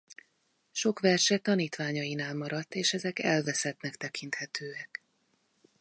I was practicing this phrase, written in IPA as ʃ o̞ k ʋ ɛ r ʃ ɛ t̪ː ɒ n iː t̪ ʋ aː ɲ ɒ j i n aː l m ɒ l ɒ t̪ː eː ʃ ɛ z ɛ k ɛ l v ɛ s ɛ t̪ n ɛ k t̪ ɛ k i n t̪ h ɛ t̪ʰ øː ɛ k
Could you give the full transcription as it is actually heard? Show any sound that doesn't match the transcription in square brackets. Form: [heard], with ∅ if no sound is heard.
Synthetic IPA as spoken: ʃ o̞ k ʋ ɛ r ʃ ɛ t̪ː ɒ n iː t̪ ʋ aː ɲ ɒ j i n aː l m ɒ [ɾ] ɒ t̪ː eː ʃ ɛ z ɛ k ɛ l v ɛ s ɛ t̪ n ɛ k t̪ ɛ k i n t̪ h ɛ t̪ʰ øː ɛ k